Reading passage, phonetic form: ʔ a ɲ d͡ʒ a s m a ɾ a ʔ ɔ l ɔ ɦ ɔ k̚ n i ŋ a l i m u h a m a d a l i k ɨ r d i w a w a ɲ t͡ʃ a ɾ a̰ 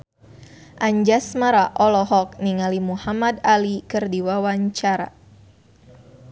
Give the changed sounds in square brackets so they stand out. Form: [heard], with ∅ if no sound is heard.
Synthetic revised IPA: ʔ a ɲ d͡ʒ a s m a ɾ a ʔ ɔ l ɔ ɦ ɔ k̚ n i ŋ a l i m u h a m a d a l i k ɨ r d i w a w a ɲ t͡ʃ a ɾ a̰